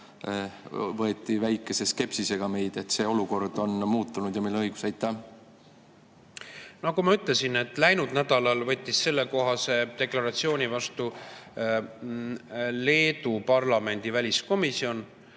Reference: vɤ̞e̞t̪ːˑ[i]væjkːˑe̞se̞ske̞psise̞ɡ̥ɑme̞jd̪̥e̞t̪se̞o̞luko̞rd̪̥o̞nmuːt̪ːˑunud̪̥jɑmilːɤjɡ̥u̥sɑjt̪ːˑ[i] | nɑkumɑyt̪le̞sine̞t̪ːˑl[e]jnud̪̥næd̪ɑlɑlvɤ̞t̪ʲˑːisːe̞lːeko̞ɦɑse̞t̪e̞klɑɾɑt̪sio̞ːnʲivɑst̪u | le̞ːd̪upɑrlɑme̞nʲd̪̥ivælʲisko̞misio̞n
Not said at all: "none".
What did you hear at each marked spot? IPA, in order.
i, æ, æ

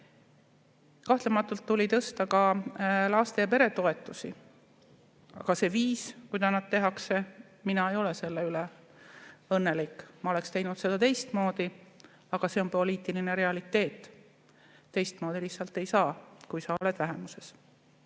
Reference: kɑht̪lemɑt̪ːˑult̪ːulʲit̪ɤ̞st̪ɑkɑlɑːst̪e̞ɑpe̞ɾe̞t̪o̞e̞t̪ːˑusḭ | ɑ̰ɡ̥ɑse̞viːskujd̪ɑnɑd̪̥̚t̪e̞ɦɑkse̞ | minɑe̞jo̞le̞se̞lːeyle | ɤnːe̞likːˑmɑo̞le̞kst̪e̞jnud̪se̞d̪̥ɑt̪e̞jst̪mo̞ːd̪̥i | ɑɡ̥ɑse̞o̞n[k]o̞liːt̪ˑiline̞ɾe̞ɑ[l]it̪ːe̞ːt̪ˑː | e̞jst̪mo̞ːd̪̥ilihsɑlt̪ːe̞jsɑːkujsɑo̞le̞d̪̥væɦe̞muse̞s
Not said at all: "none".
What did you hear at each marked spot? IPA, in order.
p, l

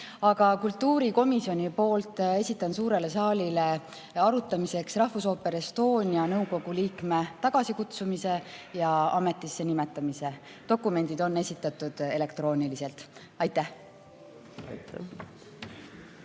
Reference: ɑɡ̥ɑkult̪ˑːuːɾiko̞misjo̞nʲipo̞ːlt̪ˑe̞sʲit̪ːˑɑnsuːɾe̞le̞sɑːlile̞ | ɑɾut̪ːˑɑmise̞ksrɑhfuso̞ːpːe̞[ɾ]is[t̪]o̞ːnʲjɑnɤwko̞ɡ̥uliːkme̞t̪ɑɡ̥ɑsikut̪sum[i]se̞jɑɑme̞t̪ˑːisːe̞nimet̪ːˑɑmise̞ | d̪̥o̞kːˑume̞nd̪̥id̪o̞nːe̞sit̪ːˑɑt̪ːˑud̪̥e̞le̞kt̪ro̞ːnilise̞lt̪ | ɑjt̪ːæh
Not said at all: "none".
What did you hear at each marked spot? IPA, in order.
ɾ, t̪, i

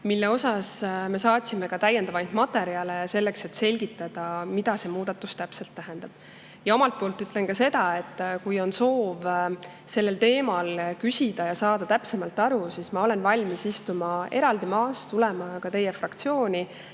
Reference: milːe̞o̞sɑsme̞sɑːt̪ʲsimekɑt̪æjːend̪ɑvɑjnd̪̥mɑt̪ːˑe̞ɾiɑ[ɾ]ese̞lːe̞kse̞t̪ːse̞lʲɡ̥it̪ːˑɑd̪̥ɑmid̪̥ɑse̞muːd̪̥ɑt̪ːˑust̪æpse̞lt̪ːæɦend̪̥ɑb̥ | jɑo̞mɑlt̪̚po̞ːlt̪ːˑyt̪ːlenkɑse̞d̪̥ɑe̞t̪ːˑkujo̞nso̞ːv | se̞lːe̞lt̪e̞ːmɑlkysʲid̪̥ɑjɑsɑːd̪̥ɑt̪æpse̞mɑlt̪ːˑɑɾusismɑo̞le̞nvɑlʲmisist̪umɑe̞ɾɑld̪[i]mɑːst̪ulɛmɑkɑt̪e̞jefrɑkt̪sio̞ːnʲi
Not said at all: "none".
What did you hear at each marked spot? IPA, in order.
l, i

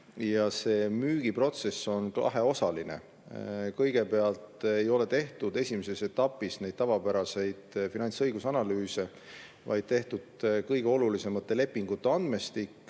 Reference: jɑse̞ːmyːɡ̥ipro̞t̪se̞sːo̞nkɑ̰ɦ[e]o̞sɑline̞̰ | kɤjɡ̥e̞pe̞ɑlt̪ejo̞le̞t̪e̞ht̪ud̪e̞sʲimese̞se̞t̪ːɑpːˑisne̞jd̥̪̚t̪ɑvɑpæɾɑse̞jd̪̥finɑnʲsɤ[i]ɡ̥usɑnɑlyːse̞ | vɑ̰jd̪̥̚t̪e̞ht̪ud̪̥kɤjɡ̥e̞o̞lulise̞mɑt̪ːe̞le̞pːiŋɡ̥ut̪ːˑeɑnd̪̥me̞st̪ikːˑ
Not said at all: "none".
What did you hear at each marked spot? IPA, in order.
e, j

